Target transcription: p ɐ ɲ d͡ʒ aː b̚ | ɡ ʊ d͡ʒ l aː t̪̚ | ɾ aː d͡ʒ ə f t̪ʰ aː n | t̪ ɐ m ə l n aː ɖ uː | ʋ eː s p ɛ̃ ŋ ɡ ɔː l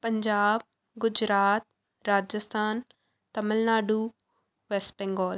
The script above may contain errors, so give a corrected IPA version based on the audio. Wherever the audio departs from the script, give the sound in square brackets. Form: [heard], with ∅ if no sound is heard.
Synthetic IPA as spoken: p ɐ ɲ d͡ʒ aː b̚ | ɡ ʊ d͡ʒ [ɾ] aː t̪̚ | ɾ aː d͡ʒ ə [s] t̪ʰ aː n | t̪ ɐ m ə l n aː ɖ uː | ʋ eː s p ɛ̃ ŋ ɡ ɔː l